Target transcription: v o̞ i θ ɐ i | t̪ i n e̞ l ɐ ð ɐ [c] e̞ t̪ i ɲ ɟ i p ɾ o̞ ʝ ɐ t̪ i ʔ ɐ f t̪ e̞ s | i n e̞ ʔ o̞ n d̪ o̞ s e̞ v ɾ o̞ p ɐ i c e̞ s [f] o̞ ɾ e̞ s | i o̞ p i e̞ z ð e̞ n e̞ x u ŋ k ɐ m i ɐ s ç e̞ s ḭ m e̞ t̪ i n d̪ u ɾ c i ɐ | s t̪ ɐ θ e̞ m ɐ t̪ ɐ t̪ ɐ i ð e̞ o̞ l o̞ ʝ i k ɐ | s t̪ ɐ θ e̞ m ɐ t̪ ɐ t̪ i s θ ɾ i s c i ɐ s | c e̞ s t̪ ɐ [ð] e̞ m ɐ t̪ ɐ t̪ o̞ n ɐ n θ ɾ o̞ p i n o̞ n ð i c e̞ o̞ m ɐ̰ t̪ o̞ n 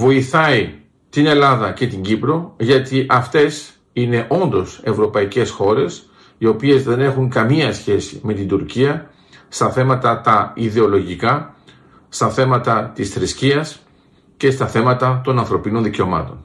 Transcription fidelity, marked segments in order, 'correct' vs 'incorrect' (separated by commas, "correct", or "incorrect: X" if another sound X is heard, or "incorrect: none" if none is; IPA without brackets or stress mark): correct, incorrect: x, incorrect: θ